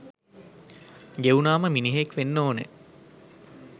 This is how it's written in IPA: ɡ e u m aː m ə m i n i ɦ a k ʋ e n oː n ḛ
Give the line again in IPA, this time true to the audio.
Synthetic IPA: ɡ e u n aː m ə m i n i ɦ e k ʋ e nː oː n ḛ